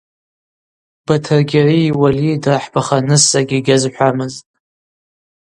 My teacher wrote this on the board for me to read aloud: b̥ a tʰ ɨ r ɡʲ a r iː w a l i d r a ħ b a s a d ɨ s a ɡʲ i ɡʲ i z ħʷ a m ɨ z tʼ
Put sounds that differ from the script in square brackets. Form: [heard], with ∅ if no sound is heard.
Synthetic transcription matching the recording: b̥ a tʰ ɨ r ɡʲ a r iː w a l i d r a ħ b a [χ] a [n] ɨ s a ɡʲ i ɡʲ [a] z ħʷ a m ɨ z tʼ